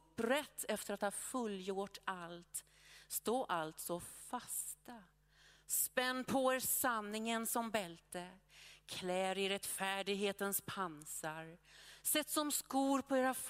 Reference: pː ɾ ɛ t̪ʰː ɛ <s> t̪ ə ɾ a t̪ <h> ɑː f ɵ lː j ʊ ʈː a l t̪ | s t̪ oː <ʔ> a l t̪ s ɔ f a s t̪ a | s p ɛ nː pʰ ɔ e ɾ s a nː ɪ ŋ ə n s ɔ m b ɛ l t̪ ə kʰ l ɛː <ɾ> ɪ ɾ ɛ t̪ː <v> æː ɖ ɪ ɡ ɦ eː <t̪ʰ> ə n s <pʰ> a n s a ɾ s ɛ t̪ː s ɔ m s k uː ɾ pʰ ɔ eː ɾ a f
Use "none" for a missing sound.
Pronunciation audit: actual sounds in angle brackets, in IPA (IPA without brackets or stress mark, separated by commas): f, h, ʔ, ɾ, f, t̪, pʰ